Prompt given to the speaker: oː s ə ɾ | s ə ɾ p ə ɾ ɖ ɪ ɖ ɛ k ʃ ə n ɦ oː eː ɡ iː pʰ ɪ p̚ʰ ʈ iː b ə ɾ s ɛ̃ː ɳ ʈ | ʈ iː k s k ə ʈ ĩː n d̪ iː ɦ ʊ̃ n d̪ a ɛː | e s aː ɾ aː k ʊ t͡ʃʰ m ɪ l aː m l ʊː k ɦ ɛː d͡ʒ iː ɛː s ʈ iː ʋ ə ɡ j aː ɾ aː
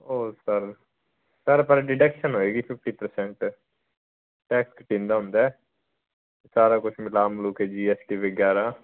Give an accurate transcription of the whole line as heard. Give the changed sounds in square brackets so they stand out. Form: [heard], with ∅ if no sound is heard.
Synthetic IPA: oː s ə ɾ | s ə ɾ p ə ɾ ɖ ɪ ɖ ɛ k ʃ ə n ɦ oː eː ɡ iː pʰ ɪ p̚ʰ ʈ iː [p] ə ɾ s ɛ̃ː ɳ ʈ | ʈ [ɛː] k s k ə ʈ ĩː n d̪ [aː] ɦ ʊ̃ n d̪ a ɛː | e s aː ɾ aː k ʊ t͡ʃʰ m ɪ l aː m l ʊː k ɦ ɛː d͡ʒ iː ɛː s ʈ iː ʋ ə ɡ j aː ɾ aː